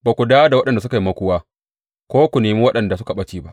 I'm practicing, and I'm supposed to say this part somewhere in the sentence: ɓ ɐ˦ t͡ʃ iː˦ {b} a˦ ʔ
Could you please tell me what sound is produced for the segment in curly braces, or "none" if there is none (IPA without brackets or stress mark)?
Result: b